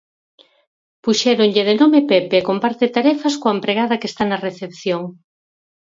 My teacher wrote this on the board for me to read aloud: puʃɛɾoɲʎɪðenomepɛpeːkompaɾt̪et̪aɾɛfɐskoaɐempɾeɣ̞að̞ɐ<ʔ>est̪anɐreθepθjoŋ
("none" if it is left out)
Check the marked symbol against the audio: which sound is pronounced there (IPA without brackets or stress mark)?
k